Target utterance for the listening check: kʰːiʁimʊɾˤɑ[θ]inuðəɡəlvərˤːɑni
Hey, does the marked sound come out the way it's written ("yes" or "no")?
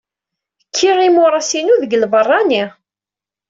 no